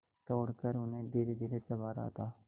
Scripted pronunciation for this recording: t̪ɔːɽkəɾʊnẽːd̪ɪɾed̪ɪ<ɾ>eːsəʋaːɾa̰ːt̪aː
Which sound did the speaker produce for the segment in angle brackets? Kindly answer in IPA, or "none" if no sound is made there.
ɾ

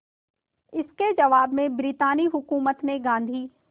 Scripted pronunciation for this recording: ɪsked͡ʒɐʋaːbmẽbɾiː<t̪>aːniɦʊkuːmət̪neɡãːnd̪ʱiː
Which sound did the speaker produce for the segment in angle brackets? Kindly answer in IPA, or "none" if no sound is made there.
t̪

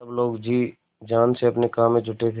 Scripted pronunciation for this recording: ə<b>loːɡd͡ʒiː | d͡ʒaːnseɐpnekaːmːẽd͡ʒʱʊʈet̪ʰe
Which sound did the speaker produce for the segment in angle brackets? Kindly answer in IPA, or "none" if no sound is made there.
b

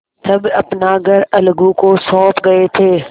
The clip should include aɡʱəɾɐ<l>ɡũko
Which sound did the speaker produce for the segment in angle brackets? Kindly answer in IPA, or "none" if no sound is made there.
l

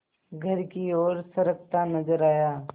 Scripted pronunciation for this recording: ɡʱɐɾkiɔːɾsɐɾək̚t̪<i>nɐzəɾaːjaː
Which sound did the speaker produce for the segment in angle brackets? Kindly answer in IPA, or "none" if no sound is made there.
a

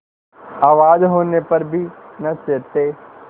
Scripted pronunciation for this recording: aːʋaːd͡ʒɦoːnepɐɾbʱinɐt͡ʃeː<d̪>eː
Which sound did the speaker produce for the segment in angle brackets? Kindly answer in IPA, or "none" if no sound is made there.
t̪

